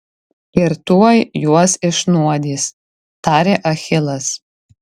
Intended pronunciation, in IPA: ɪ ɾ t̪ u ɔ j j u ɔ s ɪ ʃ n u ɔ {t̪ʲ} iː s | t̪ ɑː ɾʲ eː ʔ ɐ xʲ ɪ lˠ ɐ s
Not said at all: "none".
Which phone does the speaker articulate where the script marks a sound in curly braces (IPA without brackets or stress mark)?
d̪ʲ